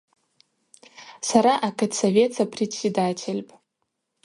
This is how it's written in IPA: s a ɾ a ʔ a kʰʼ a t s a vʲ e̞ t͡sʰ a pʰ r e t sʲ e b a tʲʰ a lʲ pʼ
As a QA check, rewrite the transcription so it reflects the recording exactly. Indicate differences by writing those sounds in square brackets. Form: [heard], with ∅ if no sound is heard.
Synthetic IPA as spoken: s a ɾ a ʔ a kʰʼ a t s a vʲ e̞ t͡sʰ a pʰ r e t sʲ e [d] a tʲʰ [e] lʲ pʼ